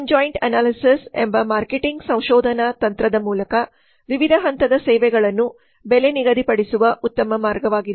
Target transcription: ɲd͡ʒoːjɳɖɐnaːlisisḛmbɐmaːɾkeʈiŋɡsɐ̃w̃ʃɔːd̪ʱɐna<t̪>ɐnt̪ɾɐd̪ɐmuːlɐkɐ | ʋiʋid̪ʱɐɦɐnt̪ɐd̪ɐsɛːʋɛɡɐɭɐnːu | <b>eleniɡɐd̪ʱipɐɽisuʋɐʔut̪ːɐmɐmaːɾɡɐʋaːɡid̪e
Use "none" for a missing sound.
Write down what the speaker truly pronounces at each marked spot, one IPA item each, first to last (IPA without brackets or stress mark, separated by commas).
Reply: t̪, b